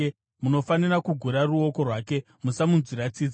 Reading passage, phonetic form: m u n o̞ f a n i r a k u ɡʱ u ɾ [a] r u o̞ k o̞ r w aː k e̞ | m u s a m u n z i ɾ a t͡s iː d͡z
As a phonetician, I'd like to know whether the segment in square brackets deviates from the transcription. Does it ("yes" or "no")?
no